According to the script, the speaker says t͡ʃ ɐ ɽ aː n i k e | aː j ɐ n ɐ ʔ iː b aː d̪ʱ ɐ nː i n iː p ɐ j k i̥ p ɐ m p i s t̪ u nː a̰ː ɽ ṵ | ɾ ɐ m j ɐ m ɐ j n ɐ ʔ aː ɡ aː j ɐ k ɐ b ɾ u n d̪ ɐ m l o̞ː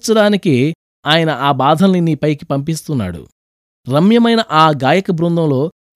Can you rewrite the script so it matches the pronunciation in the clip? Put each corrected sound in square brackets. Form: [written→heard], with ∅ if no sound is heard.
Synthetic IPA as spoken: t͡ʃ ɐ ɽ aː n i k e | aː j ɐ n ɐ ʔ [iː→aː] b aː d̪ʱ ɐ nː i n iː p ɐ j k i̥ p ɐ m p i s t̪ u nː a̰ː ɽ ṵ | ɾ ɐ m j ɐ m ɐ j n ɐ ʔ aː ɡ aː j ɐ k ɐ b ɾ u n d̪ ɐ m l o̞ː